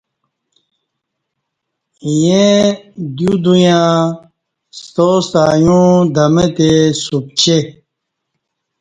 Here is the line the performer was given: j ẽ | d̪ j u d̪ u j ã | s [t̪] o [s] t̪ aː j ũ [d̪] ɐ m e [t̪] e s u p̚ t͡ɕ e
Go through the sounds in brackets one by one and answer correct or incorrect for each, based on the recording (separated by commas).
correct, correct, correct, correct